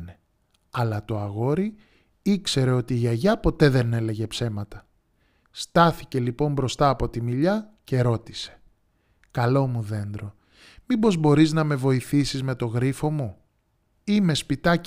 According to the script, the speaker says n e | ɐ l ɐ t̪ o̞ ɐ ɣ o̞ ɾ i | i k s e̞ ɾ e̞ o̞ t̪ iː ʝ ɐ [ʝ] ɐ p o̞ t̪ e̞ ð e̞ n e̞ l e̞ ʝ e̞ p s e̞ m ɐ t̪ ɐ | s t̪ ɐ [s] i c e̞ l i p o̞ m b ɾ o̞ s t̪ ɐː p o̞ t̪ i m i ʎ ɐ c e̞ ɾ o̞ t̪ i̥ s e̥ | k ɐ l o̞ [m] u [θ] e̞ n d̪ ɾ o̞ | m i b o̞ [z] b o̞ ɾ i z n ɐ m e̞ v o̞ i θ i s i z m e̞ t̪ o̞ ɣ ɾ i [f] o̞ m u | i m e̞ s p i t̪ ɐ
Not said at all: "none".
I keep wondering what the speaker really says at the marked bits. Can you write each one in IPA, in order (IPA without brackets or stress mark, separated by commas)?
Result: ʝ, θ, m, ð, z, f